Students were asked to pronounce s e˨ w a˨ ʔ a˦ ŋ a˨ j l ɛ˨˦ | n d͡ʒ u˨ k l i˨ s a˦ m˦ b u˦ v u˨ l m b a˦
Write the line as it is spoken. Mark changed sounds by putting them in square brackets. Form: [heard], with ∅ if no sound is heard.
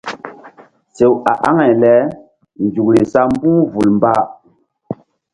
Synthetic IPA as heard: s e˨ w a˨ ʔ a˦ ŋ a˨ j l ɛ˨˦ | n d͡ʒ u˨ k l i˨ s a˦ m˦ b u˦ v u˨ l m b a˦